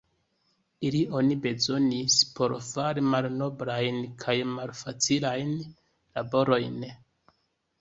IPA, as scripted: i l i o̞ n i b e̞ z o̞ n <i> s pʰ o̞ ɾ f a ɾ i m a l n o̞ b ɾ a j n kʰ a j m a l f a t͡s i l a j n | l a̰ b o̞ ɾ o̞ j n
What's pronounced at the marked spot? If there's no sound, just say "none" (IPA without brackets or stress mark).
i